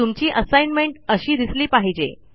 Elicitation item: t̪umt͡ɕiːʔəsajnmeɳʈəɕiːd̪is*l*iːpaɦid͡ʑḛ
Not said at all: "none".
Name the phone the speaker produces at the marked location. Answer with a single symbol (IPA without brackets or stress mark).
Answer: l